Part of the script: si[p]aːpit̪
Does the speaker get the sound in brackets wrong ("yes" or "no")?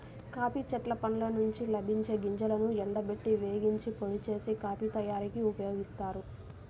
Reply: yes